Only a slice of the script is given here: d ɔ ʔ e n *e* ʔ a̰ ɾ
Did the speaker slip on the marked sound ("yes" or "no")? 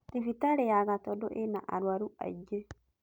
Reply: yes